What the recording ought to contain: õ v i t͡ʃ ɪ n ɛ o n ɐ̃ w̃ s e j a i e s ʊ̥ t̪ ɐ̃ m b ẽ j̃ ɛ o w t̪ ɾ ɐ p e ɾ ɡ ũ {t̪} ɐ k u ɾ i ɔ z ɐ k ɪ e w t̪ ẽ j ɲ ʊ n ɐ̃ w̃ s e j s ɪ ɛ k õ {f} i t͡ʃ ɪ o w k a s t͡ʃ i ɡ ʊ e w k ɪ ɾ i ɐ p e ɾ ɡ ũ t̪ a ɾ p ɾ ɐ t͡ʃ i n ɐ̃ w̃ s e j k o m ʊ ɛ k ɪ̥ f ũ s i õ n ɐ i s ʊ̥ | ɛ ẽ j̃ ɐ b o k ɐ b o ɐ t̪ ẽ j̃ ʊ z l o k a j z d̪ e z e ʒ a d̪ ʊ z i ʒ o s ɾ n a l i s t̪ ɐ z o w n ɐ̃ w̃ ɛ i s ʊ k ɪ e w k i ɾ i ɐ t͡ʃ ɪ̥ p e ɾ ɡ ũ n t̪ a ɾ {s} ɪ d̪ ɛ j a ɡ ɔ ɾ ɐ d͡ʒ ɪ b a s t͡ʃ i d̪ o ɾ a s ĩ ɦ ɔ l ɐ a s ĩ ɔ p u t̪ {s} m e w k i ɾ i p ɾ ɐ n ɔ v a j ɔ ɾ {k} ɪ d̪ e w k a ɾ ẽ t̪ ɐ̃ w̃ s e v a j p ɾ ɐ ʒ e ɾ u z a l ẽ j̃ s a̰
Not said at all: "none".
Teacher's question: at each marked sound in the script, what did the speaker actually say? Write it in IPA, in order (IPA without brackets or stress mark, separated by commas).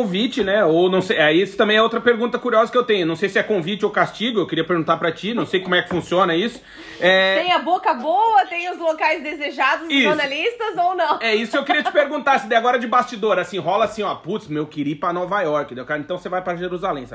t̪, v, s, s, k